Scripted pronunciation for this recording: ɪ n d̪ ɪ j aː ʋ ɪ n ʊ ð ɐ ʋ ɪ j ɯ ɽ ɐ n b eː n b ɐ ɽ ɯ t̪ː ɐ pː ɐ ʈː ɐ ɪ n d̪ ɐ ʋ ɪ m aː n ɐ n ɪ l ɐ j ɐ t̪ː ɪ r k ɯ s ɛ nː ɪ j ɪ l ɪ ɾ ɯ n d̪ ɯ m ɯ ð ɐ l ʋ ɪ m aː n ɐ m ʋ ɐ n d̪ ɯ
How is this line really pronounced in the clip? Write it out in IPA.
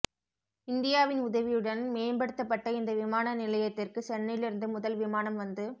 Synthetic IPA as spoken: ɪ n d̪ ɪ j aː ʋ ɪ n ʊ ð ɐ ʋ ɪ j ɯ ɽ ɐ n m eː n b ɐ ɽ ɯ t̪ː ɐ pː ɐ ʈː ɐ ɪ n d̪ ɐ ʋ ɪ m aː n ɐ n ɪ l ɐ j ɐ t̪ː ɪ r k ɯ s ɛ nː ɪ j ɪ l ɪ ɾ ɯ n d̪ ɯ m ʊ ð ɐ l ʋ ɪ m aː n ɐ m ʋ ɐ n d̪ ɯ